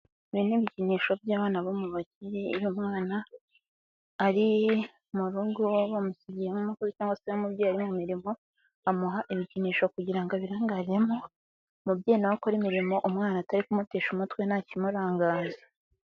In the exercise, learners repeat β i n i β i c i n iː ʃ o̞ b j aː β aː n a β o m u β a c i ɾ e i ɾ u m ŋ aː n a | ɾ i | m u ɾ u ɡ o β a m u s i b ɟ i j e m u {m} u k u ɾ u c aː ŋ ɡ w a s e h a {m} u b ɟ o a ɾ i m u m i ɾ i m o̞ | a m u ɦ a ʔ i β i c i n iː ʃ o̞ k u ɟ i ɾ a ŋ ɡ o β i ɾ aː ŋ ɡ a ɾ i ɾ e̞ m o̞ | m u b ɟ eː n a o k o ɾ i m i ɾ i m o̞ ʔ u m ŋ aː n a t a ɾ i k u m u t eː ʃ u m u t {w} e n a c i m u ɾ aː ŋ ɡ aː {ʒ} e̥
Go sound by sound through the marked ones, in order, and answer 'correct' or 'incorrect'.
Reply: correct, correct, correct, incorrect: z

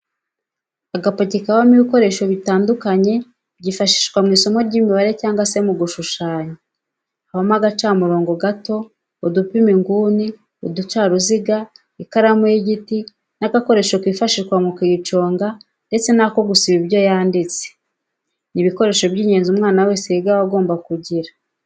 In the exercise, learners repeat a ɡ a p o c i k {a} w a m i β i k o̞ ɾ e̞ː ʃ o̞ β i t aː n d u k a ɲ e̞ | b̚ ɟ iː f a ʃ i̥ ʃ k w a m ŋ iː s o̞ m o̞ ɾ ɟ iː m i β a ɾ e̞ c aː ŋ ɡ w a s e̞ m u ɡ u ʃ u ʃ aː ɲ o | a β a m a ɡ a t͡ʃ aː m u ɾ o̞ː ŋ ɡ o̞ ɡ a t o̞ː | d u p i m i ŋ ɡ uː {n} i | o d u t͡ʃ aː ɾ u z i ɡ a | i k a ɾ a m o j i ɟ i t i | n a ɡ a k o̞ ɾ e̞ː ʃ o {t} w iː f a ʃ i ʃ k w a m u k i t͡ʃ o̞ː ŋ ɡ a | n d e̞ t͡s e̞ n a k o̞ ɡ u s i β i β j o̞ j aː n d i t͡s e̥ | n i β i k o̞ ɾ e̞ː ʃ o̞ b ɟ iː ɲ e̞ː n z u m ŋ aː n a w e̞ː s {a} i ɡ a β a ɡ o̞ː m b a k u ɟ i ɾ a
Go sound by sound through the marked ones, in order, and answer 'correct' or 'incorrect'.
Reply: correct, correct, incorrect: k, incorrect: e

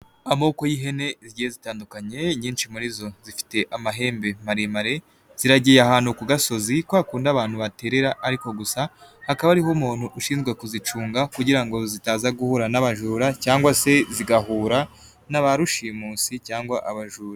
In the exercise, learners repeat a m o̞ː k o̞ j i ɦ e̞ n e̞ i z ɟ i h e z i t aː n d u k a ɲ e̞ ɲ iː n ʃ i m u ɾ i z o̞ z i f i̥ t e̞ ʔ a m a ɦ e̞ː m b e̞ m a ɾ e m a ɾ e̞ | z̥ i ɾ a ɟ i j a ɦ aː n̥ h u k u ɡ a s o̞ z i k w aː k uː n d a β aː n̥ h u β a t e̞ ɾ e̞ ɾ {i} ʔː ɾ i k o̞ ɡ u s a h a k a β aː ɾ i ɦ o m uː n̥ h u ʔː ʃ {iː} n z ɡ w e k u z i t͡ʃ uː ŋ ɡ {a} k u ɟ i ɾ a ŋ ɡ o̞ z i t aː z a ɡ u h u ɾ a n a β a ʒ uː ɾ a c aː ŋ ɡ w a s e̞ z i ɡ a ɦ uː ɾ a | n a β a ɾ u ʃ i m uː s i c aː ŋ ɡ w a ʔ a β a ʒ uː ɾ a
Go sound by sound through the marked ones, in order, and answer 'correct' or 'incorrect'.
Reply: incorrect: a, correct, correct

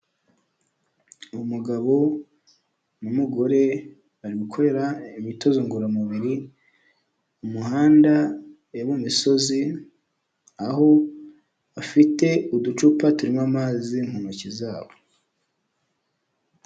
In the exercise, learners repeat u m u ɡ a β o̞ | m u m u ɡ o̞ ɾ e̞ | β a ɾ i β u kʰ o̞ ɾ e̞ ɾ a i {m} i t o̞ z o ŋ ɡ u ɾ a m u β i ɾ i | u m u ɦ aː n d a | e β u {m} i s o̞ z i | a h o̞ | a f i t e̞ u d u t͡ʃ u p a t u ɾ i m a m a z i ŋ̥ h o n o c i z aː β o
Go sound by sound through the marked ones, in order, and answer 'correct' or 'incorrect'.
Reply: correct, correct

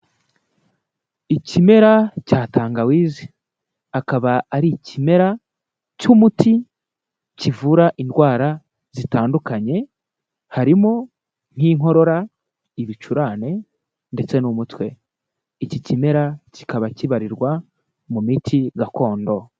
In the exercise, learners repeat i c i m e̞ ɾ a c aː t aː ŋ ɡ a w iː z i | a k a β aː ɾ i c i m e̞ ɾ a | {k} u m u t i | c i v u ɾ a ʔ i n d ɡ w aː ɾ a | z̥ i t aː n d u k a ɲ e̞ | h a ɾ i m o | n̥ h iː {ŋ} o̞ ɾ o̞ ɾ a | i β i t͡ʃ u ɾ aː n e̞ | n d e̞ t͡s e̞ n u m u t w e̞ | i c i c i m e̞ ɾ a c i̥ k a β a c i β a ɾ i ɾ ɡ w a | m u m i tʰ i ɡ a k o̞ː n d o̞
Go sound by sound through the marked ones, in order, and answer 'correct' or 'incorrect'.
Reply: incorrect: c, correct

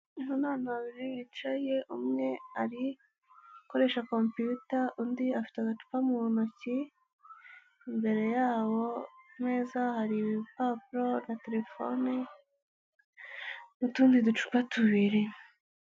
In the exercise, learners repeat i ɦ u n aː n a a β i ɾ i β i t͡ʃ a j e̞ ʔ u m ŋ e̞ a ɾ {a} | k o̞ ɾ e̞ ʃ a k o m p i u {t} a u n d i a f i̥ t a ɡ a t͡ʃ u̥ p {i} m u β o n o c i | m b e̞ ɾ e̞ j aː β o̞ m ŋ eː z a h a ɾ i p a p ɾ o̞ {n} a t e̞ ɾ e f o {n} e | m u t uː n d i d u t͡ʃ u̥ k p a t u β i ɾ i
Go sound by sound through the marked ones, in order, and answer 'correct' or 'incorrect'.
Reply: incorrect: i, correct, incorrect: a, correct, correct

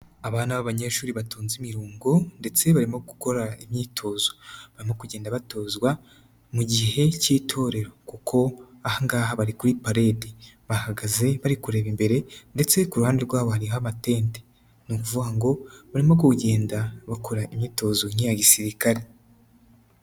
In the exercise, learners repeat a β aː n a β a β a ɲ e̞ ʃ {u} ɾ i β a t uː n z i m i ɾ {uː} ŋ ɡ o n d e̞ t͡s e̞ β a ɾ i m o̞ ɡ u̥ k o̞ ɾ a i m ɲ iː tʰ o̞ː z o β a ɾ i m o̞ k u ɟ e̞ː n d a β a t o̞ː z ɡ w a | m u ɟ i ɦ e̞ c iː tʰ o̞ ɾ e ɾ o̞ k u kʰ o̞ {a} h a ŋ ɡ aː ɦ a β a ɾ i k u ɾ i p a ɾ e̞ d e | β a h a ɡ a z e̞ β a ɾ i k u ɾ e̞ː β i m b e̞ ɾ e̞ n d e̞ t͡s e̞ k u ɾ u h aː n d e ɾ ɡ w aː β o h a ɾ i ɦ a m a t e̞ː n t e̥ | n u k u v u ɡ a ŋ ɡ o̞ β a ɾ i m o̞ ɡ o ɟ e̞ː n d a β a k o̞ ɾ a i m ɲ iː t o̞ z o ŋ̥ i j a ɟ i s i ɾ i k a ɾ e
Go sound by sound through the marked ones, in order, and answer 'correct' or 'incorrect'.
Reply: incorrect: uː, correct, correct

